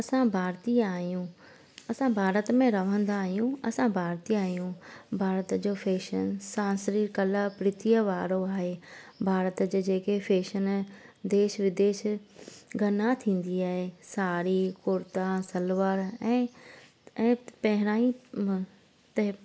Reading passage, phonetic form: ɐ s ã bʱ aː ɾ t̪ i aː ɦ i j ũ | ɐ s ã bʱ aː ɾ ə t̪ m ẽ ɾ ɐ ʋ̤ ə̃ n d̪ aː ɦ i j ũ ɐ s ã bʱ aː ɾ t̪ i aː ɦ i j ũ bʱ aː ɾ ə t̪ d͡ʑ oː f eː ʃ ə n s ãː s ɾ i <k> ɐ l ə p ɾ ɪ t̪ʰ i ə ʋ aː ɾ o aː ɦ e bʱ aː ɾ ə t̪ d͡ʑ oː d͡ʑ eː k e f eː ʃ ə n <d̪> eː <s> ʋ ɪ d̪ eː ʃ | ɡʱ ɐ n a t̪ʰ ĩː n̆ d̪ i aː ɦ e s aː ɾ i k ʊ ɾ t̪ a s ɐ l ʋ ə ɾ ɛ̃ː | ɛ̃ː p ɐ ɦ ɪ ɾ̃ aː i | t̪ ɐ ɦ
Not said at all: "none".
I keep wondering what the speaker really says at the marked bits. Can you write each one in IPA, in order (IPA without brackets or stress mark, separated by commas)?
k, d̪, ʃ